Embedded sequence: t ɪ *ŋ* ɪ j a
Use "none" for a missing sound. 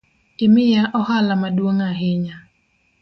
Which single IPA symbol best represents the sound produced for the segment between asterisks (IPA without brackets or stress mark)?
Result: m